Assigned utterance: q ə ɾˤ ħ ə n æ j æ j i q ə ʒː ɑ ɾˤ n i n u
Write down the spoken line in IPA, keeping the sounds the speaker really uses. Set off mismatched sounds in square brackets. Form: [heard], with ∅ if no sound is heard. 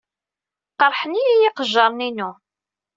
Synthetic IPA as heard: q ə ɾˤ ħ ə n [i] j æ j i q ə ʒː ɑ ɾˤ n i n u

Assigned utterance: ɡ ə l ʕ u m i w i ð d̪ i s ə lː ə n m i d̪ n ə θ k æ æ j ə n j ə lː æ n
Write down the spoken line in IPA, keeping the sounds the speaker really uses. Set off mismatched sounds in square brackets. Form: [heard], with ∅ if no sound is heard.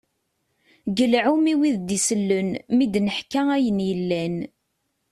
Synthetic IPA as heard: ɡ ə l ʕ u m i w i ð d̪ i s ə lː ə n m i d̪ n ə [ħ] k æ æ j ə n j ə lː æ n

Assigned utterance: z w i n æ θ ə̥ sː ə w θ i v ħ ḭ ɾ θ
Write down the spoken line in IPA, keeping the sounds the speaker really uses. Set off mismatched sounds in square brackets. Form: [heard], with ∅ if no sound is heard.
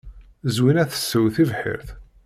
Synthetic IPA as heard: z w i n æ θ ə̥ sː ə w θ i v ħ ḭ ɾ θ

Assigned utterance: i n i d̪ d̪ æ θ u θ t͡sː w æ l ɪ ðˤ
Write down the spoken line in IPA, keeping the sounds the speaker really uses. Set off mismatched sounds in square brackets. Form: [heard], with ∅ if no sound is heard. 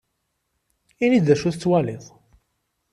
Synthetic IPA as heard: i n i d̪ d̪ æ [ʃ] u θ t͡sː w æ l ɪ ðˤ

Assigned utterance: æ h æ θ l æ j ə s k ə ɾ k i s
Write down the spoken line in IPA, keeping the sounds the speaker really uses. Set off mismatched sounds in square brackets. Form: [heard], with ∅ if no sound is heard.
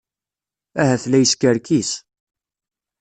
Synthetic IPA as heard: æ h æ θ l æ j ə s k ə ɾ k i s

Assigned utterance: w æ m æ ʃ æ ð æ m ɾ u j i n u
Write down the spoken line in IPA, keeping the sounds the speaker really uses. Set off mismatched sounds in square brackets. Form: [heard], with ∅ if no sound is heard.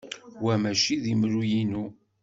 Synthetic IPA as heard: w æ m æ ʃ [i] ð [i] m ɾ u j i n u

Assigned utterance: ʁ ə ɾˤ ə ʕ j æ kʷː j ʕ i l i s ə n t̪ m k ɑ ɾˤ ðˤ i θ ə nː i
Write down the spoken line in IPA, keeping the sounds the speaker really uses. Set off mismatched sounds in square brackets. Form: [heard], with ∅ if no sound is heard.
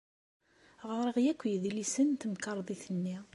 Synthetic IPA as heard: ʁ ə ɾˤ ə [ʁ] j æ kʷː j [ð] i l i s ə n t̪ m k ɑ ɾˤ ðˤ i θ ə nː i

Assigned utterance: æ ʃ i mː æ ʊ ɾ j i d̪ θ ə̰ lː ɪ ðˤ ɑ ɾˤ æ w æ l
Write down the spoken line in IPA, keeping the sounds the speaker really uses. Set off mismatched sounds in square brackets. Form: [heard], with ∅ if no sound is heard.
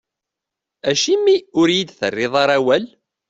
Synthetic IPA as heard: æ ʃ i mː [i] ʊ ɾ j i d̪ θ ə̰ [rː] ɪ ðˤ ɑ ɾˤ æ w æ l

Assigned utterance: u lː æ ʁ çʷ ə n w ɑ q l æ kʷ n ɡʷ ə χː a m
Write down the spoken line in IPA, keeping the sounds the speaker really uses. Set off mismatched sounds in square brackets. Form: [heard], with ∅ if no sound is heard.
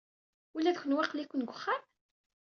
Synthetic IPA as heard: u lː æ [ð] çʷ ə n w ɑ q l [i] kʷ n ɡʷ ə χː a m

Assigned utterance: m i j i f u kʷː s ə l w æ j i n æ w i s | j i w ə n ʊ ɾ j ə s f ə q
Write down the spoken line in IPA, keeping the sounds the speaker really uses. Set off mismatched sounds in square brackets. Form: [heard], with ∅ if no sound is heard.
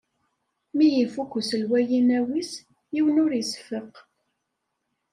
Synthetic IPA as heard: m i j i f u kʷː s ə l w æ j i n æ w i s | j i w ə n ʊ ɾ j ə s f ə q

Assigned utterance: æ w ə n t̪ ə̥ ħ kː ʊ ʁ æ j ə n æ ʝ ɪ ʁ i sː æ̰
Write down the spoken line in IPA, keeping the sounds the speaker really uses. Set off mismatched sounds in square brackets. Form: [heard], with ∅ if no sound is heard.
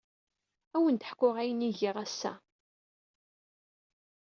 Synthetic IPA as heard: æ w ə n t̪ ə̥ ħ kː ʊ ʁ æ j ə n [i] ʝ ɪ ʁ [æ] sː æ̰

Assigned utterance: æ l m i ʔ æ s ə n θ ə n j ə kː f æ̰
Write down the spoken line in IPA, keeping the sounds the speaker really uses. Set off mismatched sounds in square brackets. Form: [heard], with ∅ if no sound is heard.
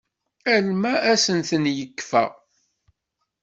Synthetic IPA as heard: æ l m [æ] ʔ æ s ə n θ ə n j ə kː f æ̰

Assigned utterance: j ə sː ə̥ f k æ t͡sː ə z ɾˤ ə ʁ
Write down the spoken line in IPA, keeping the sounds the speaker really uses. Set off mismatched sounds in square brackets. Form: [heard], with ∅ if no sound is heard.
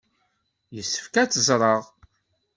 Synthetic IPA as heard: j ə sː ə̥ f k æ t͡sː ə z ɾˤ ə ʁ

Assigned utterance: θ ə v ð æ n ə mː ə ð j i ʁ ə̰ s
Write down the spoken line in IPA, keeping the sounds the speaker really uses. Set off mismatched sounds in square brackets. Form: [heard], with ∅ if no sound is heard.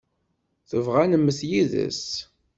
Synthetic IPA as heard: θ ə v [ʁ] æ n ə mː ə [θ] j i [ð] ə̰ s

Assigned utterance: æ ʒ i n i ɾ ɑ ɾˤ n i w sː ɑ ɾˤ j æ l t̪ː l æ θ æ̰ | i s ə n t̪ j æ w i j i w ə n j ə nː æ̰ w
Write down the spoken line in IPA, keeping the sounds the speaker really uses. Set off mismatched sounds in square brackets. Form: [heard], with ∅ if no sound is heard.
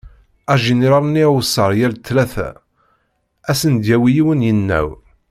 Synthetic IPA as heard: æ ʒ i n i ɾ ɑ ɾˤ n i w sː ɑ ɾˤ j æ l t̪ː l æ θ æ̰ | [æ] s ə n [d̪] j æ w i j i w ə n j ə nː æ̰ w

